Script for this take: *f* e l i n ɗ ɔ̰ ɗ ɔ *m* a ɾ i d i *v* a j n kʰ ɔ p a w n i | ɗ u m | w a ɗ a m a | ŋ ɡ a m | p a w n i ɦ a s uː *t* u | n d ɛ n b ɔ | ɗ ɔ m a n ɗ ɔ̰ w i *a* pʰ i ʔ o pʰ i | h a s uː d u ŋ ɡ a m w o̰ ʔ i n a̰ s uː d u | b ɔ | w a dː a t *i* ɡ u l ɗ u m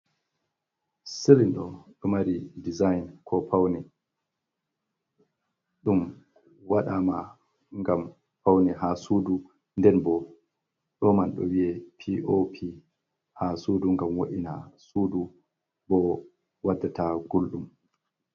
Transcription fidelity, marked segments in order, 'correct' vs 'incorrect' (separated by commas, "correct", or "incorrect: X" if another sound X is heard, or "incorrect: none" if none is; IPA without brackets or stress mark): incorrect: s, correct, incorrect: z, incorrect: d, incorrect: ɛ, incorrect: a